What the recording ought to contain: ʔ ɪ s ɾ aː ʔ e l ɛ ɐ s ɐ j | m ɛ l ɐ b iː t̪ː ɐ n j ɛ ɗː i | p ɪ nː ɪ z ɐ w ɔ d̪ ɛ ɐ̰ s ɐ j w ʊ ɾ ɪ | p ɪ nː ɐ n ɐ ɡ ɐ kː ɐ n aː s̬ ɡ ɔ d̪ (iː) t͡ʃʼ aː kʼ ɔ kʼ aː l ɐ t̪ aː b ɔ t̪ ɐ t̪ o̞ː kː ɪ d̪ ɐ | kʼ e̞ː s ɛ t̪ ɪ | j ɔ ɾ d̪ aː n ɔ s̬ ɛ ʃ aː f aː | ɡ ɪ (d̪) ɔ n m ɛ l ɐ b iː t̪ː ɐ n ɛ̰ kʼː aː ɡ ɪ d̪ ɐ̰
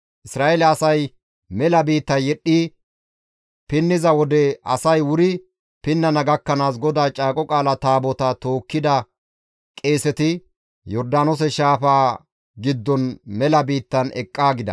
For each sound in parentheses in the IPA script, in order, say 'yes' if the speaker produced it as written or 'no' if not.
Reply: no, no

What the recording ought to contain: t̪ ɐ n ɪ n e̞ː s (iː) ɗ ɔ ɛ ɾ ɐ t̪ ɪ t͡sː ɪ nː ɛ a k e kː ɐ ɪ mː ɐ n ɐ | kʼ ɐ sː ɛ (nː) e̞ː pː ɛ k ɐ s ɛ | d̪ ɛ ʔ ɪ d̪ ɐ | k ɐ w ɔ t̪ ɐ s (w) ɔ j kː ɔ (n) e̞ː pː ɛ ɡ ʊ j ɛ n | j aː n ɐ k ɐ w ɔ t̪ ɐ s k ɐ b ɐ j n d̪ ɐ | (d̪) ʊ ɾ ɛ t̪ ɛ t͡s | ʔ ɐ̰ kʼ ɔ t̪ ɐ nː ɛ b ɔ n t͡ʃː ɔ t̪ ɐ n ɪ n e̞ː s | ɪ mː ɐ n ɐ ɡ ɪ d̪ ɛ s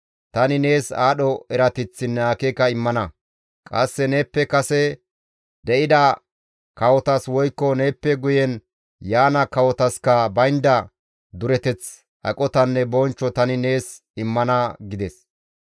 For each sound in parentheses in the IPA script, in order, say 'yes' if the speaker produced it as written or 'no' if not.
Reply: no, no, yes, yes, yes

